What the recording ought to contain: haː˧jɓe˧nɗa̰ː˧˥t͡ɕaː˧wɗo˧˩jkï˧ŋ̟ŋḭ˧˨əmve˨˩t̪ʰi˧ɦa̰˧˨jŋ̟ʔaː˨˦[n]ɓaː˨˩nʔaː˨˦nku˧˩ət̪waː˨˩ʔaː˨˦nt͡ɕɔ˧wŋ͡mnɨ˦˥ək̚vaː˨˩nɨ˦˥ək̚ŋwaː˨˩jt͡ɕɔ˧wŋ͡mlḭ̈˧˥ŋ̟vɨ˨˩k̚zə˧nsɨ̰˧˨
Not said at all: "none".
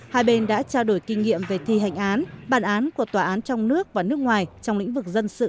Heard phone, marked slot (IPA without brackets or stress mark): n